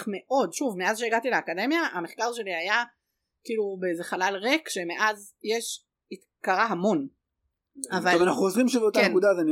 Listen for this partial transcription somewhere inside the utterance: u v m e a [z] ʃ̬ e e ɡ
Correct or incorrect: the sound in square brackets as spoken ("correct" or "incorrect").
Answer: correct